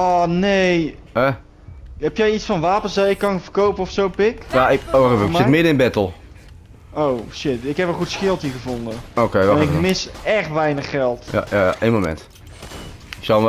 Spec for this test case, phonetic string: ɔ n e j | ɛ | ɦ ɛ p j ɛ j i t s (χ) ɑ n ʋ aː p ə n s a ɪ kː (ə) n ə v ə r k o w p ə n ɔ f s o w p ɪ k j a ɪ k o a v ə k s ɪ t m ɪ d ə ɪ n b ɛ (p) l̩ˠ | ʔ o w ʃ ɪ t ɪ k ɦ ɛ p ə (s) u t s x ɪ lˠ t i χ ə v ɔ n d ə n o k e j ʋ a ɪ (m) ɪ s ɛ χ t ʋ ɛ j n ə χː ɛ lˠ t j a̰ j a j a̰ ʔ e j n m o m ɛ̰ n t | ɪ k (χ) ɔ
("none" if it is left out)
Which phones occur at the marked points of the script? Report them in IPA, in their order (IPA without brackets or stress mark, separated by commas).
f, ɑ, t, χ, m, s